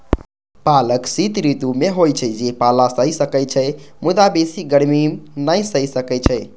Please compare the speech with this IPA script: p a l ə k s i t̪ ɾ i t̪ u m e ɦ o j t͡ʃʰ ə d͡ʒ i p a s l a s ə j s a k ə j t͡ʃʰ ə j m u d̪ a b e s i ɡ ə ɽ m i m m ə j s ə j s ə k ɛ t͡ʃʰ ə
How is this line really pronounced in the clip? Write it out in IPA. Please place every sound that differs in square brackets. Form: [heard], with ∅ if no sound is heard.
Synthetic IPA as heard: p a l ə k s i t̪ ɾ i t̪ u m e ɦ o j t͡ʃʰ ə d͡ʒ [e] p a [∅] l a s ə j s [ə] k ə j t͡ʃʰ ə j m u d̪ a b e s i ɡ ə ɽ m i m [n] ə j s ə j s ə k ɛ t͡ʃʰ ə